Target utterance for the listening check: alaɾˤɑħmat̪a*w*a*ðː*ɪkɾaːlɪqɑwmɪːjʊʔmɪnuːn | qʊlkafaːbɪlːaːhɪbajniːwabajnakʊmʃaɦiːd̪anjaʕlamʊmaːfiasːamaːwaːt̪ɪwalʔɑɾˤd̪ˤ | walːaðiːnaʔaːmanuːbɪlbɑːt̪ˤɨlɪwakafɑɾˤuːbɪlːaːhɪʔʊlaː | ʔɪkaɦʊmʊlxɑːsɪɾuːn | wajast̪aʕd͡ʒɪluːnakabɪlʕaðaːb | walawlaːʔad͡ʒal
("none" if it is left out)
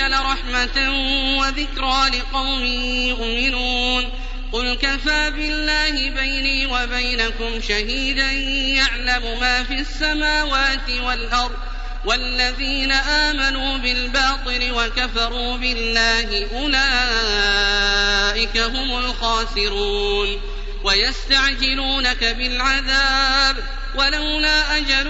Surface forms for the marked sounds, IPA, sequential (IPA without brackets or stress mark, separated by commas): w, ð